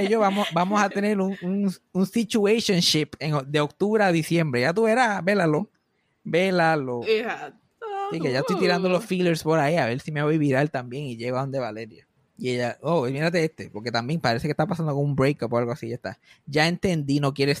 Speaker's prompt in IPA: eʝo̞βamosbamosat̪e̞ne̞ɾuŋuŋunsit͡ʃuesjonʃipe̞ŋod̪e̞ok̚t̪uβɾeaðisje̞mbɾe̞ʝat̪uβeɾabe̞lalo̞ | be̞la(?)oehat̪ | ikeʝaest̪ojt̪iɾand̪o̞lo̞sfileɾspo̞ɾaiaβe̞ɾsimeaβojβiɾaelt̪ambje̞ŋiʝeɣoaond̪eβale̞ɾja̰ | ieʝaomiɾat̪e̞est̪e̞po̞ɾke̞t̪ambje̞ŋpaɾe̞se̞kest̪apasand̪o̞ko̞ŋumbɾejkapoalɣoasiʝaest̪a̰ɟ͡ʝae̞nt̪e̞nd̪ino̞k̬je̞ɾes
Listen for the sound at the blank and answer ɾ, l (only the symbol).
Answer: l